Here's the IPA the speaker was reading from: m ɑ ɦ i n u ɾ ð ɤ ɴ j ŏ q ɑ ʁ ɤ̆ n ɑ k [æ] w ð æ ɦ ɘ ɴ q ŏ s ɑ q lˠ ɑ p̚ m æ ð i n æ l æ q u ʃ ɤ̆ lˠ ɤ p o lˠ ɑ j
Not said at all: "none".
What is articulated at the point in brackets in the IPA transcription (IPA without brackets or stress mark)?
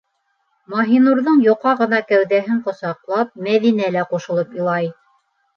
æ